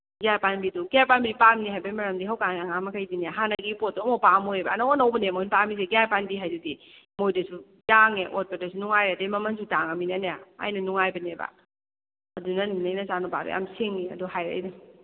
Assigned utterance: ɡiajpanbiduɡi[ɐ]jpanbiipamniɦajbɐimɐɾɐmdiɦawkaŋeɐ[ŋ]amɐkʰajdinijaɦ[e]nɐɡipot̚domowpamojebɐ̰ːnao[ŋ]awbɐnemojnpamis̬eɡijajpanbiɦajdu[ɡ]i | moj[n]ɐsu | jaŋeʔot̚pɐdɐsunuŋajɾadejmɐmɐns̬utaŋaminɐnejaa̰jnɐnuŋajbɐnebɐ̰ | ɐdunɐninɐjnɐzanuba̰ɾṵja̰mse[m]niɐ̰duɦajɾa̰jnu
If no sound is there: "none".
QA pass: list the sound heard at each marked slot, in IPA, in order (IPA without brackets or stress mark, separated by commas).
a, ŋ, a, n, d, d, ŋ